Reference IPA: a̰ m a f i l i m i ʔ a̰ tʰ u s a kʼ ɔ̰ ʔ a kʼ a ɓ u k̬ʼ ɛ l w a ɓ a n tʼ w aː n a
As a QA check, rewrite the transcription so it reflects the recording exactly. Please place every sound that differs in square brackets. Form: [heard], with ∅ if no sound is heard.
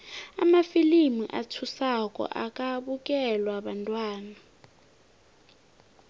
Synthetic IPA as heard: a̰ m a f i l i m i ʔ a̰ tʰ u s a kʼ ɔ̰ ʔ a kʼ a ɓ u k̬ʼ ɛ l w a ɓ a n tʼ w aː n a

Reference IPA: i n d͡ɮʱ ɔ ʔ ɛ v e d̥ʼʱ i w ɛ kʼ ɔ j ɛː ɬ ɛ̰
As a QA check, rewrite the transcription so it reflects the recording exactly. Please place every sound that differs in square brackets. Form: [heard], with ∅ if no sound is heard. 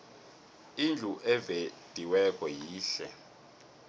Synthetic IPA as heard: i n d͡ɮʱ [u] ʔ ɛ v e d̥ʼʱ i w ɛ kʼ ɔ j [iː] ɬ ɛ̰

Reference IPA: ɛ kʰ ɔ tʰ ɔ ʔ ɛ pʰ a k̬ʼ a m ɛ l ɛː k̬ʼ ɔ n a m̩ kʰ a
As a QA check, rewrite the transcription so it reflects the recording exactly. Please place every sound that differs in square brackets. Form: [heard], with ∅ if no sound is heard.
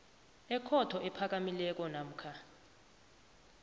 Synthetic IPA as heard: ɛ kʰ ɔ tʰ ɔ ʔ ɛ pʰ a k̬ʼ a m [i] l [ɛ] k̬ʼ ɔ n a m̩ kʰ a

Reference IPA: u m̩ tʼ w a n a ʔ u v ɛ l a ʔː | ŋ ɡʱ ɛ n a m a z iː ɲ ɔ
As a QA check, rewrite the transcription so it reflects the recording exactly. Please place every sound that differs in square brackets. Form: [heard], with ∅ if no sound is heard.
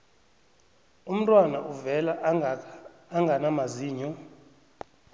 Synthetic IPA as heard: u m̩ tʼ w a n a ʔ u v ɛ l a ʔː | ŋ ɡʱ [a] n a m a z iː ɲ ɔ

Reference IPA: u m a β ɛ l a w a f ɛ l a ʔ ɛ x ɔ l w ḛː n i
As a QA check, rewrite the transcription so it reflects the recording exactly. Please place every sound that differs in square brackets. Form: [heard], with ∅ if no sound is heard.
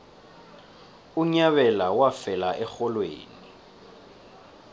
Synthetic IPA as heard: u [ɲ] a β ɛ l a w a f ɛ l a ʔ ɛ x ɔ l w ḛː n i

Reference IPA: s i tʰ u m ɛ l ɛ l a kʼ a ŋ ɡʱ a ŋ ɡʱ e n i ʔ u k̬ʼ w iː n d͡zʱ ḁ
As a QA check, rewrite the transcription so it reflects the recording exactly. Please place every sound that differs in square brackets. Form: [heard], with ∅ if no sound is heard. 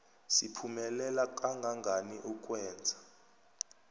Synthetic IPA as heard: s i [pʰ] u m ɛ l ɛ l a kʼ a ŋ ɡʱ a ŋ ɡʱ [a] n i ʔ u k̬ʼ w [ɛː] n d͡zʱ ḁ

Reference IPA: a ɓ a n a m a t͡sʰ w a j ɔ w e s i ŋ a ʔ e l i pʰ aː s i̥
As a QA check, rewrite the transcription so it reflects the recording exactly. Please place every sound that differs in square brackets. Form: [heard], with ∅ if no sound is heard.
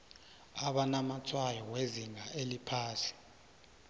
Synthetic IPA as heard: a ɓ a n a m a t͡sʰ w a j ɔ w e [z] i ŋ a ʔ e l i pʰ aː s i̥

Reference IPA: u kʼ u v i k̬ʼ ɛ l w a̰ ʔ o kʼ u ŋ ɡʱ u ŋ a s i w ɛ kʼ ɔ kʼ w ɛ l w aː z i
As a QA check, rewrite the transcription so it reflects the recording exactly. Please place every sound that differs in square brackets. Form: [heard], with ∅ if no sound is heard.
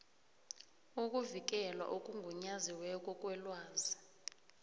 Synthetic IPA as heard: u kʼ u v i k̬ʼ ɛ l w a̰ ʔ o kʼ u ŋ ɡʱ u [ɲ] a [z] i w ɛ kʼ ɔ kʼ w ɛ l w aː z i

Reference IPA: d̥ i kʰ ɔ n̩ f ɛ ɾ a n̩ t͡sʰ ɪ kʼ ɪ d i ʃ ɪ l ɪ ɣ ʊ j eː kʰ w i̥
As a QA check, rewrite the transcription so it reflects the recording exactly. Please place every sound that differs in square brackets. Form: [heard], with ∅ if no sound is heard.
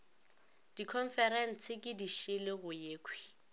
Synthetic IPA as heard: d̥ i kʰ ɔ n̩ f ɛ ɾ [ɛ] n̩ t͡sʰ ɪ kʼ ɪ d i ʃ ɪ l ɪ ɣ ʊ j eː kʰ w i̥

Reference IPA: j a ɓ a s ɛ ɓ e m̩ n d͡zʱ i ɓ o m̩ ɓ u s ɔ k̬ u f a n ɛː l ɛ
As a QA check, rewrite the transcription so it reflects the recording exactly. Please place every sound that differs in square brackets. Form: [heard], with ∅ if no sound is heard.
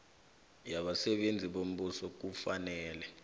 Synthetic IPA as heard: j a ɓ a s ɛ ɓ e [∅] n d͡zʱ i ɓ o m̩ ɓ u s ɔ k̬ u f a n ɛː l ɛ

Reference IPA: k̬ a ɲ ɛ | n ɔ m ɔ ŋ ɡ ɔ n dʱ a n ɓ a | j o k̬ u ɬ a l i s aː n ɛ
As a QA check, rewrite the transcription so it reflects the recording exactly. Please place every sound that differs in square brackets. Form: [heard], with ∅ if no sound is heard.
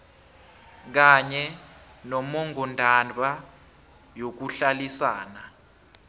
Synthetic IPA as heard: k̬ a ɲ ɛ | n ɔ m ɔ ŋ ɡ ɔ n dʱ a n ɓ a | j o k̬ u ɬ a l i s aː n [a]

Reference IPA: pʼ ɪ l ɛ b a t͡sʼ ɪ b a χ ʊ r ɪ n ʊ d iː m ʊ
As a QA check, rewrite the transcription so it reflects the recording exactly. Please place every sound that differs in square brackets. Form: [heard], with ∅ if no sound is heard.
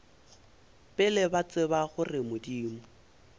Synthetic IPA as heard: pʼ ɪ l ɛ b a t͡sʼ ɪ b a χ ʊ r ɪ [m] ʊ d iː m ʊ

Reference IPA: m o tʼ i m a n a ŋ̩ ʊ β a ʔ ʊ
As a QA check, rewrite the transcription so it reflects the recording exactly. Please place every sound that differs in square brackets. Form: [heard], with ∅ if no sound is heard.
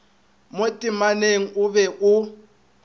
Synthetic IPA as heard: m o tʼ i m a n [e] ŋ̩ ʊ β [ɛ] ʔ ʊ

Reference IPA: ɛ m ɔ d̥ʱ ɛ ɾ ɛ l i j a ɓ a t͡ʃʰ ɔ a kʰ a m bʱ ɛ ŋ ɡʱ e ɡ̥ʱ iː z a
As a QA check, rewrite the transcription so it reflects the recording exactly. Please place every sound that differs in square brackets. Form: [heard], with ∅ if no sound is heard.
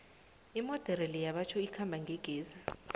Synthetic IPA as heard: [i] m ɔ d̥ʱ ɛ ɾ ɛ l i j a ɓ a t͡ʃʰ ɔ [i] kʰ a m bʱ [a] ŋ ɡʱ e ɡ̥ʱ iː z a

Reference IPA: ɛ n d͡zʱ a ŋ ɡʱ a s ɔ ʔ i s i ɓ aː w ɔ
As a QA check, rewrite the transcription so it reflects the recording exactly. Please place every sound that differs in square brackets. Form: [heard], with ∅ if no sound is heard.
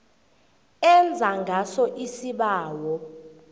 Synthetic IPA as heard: ɛ n d͡zʱ a ŋ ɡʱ a s ɔ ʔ i s i ɓ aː w ɔ

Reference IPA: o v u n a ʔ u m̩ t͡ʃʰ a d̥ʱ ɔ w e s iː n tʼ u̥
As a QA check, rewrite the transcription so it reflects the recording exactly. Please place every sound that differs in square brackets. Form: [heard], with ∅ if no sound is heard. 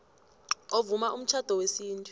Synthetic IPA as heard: o v u [m] a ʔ u m̩ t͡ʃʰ a d̥ʱ ɔ w e s iː n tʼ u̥

